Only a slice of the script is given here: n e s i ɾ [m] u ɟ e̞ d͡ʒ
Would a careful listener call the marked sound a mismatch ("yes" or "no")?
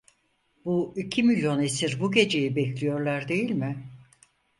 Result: yes